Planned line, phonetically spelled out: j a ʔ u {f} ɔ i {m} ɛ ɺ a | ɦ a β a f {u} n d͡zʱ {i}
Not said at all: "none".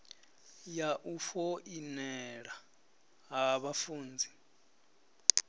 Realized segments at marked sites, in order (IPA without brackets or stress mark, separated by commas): f, n, uː, i